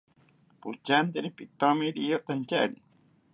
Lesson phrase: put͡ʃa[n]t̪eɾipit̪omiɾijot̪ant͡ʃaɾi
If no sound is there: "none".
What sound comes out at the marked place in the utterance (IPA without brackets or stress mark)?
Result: n